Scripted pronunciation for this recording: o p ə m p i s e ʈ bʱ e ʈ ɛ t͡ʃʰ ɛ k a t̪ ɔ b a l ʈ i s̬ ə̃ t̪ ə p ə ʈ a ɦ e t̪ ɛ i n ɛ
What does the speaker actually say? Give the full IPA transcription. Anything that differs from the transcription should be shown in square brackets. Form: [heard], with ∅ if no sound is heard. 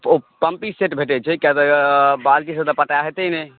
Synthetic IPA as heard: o p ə m p i s e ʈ bʱ e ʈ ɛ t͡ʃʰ ɛ k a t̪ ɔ b a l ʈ i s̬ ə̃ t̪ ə p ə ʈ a ɦ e t̪ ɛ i n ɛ